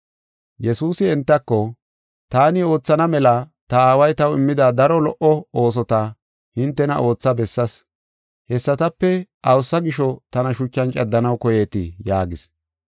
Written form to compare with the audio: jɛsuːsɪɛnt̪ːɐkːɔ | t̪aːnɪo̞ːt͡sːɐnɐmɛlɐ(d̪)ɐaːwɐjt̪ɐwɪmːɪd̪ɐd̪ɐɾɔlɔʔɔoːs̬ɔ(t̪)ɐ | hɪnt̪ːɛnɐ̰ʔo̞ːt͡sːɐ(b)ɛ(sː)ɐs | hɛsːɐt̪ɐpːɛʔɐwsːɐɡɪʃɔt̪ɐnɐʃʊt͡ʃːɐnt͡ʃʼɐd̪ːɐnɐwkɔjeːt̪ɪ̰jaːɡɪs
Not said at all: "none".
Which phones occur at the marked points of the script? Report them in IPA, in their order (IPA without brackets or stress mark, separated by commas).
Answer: t̪, t̪, b, sː